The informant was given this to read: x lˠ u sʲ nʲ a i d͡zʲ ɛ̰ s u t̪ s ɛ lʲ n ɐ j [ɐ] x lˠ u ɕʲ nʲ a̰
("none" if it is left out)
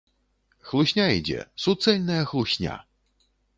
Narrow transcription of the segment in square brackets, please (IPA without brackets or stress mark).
ɐ